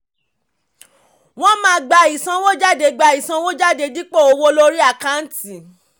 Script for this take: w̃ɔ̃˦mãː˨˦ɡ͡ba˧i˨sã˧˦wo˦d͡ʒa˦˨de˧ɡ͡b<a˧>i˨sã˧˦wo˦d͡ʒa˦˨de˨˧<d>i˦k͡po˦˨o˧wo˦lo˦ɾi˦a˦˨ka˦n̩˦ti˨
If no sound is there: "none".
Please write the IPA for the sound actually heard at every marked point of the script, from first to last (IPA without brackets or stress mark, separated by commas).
a˧, d